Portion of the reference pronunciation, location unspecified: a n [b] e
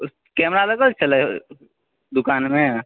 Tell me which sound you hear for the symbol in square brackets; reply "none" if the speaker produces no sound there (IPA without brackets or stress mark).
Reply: m